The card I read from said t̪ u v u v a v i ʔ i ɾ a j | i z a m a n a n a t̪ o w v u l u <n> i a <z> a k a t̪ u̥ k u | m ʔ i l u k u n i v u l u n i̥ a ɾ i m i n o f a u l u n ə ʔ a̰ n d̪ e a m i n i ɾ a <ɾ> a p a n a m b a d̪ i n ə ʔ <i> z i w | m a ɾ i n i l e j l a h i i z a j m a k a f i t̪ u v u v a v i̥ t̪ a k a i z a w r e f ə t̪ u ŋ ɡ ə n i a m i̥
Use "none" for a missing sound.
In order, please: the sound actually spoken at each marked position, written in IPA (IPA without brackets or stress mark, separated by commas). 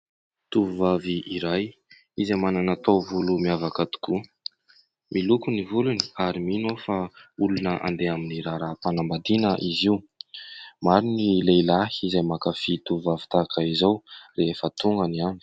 m, v, ɾ, i